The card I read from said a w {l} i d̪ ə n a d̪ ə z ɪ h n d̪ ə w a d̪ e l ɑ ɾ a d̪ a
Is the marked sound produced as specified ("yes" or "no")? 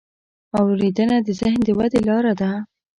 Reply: no